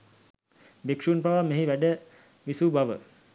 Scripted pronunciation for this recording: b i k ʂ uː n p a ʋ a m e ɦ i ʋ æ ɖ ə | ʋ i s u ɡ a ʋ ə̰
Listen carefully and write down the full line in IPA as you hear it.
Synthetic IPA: b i k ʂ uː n p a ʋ a m e ɦ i ʋ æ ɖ ə | ʋ i s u b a ʋ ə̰